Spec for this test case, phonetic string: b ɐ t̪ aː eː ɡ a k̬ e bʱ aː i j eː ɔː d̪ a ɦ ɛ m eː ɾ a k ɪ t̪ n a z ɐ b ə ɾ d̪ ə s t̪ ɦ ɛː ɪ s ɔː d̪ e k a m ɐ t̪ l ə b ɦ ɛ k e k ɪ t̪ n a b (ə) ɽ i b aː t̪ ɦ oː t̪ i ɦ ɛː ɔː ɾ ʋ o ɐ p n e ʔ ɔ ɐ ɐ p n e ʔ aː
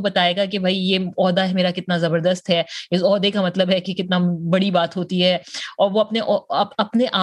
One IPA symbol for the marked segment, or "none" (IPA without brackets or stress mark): ɐ